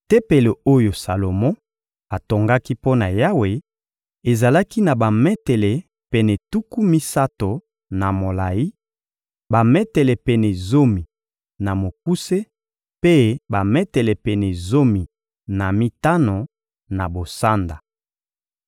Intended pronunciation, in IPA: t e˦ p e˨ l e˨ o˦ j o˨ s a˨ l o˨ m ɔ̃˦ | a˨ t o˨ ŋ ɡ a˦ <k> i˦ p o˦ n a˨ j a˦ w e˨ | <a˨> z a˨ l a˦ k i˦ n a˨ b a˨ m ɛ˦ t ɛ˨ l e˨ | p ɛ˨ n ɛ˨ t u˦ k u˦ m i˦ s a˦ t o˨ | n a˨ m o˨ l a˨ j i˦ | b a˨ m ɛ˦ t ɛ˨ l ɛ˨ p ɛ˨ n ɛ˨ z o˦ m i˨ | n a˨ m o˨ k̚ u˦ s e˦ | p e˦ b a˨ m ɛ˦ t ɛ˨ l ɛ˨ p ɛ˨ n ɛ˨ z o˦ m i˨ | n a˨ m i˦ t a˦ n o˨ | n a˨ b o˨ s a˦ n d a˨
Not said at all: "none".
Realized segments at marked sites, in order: k, e˨

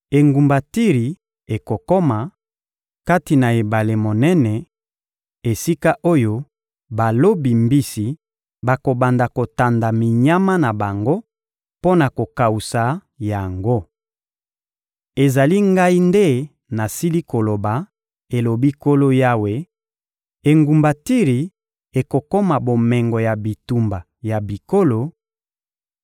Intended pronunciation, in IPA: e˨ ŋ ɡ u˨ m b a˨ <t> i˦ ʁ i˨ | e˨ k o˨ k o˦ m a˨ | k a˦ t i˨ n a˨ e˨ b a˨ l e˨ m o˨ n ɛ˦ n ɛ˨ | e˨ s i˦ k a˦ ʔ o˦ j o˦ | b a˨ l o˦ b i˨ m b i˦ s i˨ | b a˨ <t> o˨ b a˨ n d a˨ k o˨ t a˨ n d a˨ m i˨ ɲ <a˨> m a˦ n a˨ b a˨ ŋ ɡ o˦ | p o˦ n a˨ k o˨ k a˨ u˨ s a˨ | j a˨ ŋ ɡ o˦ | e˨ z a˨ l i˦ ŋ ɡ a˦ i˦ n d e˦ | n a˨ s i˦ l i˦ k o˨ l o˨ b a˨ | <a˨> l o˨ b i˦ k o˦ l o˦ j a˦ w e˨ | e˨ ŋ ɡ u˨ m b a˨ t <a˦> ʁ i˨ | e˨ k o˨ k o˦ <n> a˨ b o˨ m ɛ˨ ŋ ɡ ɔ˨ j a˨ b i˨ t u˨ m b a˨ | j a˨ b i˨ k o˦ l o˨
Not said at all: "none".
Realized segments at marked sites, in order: t, k, a˦, e˨, i˦, m

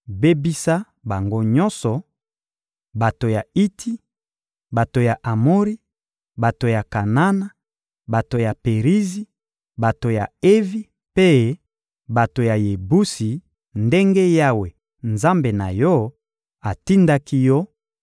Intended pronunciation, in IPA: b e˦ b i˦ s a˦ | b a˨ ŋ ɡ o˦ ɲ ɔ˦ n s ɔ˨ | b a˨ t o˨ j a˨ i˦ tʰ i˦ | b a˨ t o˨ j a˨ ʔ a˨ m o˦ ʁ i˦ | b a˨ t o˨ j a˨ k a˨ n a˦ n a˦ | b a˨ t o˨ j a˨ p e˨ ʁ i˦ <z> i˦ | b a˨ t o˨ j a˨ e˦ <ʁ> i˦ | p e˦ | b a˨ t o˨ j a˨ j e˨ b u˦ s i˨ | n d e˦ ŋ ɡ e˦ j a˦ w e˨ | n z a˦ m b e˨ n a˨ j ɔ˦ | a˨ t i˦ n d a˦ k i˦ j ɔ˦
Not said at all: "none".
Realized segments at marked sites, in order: z, v

